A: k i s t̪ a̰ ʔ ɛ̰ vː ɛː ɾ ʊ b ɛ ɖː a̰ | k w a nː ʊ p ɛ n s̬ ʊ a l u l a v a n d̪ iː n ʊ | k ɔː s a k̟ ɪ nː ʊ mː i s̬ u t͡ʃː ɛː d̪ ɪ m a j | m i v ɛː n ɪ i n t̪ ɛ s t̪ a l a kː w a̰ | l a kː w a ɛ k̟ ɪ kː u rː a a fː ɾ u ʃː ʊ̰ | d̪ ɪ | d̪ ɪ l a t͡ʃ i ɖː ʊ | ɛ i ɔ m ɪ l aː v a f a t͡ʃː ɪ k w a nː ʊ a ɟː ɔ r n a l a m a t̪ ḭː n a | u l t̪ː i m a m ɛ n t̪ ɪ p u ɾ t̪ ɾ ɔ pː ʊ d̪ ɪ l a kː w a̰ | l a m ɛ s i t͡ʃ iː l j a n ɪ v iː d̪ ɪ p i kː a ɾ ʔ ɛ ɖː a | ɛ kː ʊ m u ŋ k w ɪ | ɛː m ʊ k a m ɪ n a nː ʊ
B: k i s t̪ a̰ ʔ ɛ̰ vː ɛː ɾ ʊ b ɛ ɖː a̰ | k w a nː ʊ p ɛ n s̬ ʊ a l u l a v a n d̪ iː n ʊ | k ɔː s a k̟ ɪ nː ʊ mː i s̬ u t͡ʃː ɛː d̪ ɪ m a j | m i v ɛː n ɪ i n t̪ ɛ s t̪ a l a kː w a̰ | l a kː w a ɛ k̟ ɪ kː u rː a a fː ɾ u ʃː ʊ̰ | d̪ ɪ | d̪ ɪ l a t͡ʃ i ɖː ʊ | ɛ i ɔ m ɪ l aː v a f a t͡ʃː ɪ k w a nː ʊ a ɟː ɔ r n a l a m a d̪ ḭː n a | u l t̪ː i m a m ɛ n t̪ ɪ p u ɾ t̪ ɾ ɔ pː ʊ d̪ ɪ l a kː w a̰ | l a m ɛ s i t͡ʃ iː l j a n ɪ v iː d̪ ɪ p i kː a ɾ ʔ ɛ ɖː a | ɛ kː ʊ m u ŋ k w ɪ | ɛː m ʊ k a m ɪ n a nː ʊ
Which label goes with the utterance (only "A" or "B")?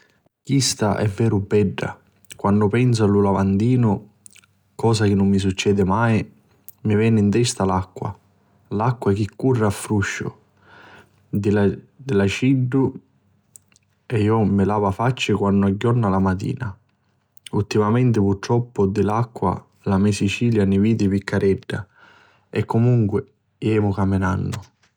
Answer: A